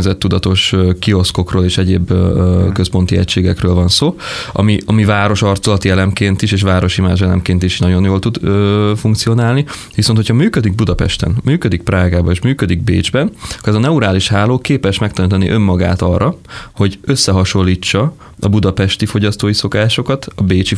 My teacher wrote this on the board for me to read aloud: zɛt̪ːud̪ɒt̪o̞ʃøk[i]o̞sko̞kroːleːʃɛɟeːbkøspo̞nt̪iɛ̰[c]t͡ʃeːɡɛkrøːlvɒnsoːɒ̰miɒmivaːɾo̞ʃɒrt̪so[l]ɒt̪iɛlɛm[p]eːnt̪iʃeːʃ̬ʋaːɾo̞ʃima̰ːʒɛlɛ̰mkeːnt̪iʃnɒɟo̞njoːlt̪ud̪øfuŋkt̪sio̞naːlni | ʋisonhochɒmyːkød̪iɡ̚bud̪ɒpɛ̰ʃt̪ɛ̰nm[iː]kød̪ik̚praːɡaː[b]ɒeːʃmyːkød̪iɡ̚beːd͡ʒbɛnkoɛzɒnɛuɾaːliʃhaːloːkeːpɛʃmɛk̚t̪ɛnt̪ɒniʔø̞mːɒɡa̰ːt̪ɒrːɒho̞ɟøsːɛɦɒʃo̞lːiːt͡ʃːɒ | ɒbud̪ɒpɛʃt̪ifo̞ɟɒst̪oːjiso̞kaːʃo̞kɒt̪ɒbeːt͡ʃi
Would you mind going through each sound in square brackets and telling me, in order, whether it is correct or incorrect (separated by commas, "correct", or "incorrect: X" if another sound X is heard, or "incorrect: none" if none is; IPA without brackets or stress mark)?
correct, correct, correct, incorrect: k, incorrect: yː, correct